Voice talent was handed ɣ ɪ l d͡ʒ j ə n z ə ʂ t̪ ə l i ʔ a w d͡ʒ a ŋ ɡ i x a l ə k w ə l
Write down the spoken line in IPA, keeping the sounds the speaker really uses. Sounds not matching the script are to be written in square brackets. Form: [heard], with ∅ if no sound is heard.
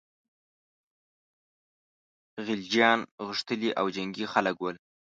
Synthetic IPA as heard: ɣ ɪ l d͡ʒ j [ɑ] n [ɣ] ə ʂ t̪ ə l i ʔ a w d͡ʒ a ŋ ɡ i x a l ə k w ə l